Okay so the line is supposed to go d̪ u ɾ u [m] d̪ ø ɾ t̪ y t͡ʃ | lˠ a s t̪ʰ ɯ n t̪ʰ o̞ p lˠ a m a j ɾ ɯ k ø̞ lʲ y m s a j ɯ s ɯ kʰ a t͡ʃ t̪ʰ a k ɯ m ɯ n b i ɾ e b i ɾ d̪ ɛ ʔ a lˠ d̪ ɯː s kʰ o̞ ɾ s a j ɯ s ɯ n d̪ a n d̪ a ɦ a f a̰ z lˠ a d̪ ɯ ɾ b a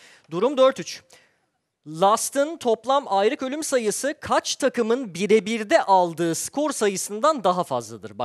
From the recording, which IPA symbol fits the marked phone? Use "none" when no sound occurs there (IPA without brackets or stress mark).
m